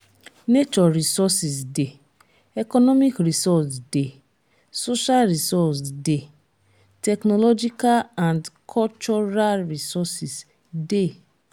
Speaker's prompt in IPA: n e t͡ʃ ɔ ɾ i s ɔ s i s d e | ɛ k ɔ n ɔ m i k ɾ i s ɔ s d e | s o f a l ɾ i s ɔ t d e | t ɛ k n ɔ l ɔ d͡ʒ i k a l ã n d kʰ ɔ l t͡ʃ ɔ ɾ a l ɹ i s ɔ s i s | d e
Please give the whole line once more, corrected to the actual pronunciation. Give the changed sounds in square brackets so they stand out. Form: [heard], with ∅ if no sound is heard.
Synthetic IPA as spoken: n e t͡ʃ ɔ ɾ i s ɔ s i s d e | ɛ k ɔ n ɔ m i k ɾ i s ɔ s d e | s o [ʃ] a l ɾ i s ɔ [s] d e | t ɛ k n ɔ l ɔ d͡ʒ i k a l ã n d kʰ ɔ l t͡ʃ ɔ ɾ a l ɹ i s ɔ s i s | d e